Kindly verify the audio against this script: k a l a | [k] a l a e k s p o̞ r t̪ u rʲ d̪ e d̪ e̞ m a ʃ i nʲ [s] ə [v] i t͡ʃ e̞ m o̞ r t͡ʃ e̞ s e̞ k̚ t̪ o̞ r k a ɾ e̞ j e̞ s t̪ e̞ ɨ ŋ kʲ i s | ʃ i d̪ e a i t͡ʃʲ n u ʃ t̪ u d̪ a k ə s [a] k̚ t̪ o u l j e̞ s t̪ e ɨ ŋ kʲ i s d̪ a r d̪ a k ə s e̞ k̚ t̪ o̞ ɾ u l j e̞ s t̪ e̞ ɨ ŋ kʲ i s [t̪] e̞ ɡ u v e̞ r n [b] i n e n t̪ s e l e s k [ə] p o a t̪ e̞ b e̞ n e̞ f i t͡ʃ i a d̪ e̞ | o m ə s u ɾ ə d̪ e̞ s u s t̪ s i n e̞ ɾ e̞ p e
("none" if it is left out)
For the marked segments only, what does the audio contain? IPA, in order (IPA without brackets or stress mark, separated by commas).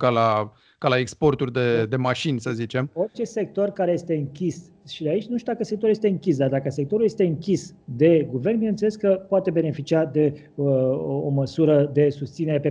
k, s, z, e, d̪, b, ə